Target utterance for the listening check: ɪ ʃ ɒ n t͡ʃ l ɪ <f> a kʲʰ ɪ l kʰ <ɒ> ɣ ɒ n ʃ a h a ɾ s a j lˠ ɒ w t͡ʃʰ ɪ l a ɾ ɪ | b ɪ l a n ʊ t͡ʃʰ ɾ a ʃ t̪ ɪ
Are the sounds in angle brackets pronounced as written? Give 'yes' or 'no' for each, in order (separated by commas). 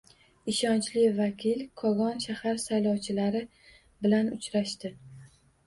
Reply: no, yes